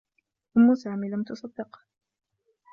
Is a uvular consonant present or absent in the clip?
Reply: present